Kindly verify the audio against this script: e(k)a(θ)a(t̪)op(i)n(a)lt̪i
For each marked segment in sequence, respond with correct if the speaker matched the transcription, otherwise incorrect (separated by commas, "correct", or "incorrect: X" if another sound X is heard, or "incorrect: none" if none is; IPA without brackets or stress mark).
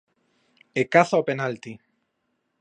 correct, correct, incorrect: none, incorrect: e, correct